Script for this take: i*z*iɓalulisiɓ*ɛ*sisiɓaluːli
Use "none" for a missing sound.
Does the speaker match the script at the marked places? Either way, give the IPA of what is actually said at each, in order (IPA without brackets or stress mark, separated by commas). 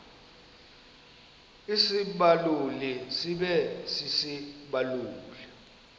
s, ɛ